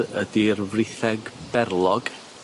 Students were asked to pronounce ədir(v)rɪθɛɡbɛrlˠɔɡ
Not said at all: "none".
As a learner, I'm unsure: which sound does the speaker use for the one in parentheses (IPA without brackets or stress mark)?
v